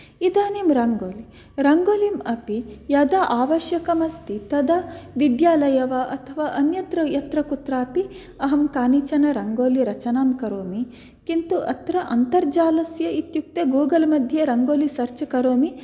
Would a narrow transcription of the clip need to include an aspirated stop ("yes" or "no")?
yes